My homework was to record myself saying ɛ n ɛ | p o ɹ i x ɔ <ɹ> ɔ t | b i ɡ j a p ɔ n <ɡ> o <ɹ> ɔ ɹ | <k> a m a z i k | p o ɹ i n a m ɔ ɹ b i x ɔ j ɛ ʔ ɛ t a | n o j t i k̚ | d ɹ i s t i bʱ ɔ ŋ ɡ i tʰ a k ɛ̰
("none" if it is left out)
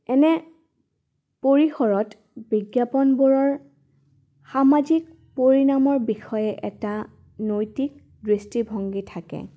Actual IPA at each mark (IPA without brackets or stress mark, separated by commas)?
ɹ, b, ɹ, x